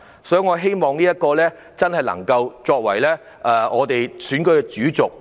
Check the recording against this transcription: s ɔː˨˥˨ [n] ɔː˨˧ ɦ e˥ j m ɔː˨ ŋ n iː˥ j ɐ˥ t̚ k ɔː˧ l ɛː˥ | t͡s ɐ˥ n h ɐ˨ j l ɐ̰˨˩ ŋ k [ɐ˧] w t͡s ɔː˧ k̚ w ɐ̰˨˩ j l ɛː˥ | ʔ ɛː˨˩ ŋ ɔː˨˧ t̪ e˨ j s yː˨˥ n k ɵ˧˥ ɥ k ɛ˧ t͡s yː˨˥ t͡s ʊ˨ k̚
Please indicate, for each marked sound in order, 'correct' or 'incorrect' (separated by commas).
incorrect, correct